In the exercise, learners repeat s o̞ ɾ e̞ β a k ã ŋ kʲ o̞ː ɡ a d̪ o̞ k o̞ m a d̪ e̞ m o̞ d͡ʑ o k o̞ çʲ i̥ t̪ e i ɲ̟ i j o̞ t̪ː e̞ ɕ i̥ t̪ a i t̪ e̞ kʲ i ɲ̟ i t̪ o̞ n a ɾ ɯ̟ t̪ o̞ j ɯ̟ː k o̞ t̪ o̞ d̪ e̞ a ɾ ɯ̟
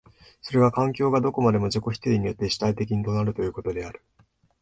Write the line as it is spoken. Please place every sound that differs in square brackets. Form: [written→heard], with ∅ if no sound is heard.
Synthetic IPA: s o̞ ɾ e̞ β a k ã ŋ kʲ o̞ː ɡ a d̪ o̞ k o̞ m a d̪ e̞ m o̞ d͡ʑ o k o̞ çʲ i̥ t̪ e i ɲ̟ i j o̞ t̪ː e̞ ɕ i̥ t̪ a i t̪ e̞ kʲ i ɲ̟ i t̪ o̞ n a ɾ ɯ̟ t̪ o̞ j ɯ̟ː k o̞ t̪ o̞ d̪ e̞ a ɾ ɯ̟